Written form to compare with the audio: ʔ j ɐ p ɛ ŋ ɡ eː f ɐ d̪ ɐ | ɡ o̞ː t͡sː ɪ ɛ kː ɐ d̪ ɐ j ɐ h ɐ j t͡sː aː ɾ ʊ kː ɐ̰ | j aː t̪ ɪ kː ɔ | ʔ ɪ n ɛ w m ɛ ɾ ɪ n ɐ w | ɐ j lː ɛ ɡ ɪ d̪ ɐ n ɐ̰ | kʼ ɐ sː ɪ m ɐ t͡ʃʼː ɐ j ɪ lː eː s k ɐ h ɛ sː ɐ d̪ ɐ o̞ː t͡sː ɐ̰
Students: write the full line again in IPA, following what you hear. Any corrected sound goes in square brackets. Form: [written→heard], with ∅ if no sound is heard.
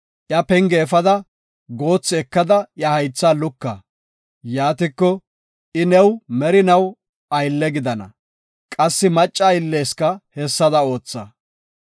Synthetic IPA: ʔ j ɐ p ɛ ŋ ɡ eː f ɐ d̪ ɐ | ɡ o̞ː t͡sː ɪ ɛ kː ɐ d̪ ɐ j ɐ h ɐ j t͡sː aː [ɾ→l] ʊ kː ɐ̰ | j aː t̪ ɪ kː ɔ | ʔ ɪ n ɛ w m ɛ ɾ ɪ n ɐ w | ɐ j lː ɛ ɡ ɪ d̪ ɐ n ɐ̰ | kʼ ɐ sː ɪ m ɐ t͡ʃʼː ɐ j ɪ lː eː s k ɐ h ɛ sː ɐ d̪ ɐ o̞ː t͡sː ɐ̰